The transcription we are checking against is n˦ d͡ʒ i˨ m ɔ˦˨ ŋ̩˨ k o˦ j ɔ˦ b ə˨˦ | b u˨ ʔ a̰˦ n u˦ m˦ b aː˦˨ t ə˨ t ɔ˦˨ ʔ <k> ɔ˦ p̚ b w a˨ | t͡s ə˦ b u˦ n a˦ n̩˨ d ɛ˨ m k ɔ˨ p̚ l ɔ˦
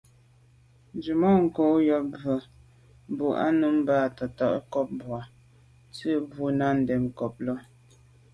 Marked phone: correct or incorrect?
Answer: correct